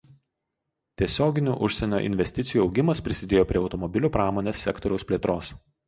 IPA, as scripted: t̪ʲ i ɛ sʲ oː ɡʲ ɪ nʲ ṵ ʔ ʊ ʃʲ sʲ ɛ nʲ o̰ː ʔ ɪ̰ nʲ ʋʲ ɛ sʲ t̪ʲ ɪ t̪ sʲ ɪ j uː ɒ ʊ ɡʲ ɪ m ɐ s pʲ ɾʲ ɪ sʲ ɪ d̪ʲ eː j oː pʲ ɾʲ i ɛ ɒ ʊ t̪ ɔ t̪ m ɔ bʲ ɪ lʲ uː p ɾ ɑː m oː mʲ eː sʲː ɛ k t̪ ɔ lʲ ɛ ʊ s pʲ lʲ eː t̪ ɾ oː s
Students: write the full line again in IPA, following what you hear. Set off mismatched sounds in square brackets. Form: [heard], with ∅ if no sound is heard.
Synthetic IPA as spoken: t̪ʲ i ɛ sʲ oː ɡʲ ɪ nʲ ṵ ʔ ʊ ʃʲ sʲ ɛ nʲ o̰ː ʔ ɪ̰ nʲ ʋʲ ɛ sʲ t̪ʲ ɪ t̪ sʲ ɪ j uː ɒ ʊ ɡʲ ɪ m ɐ s pʲ ɾʲ ɪ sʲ ɪ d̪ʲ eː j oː pʲ ɾʲ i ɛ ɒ ʊ t̪ ɔ [∅] m ɔ bʲ ɪ lʲ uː p ɾ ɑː m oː [nʲ] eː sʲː ɛ k t̪ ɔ [ɾʲ] ɛ ʊ s pʲ lʲ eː t̪ ɾ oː s